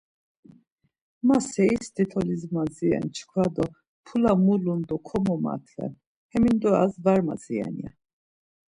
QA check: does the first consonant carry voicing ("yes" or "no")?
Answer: yes